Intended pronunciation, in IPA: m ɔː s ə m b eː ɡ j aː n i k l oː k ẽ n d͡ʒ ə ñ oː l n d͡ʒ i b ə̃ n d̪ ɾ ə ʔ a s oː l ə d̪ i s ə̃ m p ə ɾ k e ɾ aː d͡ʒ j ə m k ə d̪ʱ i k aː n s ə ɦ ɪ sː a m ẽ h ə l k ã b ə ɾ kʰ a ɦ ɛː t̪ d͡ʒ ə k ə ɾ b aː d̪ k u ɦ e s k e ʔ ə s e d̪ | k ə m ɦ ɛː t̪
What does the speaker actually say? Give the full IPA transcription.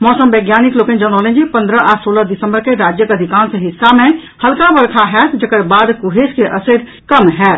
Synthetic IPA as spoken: m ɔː s ə m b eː ɡ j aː n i k l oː k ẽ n d͡ʒ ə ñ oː l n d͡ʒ i p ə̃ n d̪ ɾ ə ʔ a s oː l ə d̪ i s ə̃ m b ə ɾ k e ɾ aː d͡ʒ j ə k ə d̪ʱ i k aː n s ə ɦ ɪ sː a m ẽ h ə l k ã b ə ɾ kʰ a ɦ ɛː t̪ d͡ʒ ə k ə ɾ b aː d̪ k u ɦ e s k e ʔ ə s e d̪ | k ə m ɦ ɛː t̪